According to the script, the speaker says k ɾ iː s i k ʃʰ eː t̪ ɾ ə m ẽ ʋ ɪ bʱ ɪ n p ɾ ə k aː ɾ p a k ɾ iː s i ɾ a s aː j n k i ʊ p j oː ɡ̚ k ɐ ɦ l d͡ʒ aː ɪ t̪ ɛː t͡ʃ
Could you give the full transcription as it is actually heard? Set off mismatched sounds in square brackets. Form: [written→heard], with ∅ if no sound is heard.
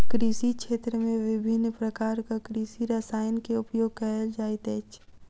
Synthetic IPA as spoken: k ɾ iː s i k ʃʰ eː t̪ ɾ ə m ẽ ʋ ɪ bʱ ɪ n p ɾ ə k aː ɾ [p→k] a k ɾ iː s i ɾ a s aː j n k [i→e] ʊ p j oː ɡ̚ k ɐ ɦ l d͡ʒ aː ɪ t̪ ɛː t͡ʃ